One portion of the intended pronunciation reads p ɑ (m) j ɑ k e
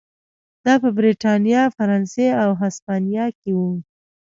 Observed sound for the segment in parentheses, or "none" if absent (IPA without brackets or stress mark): n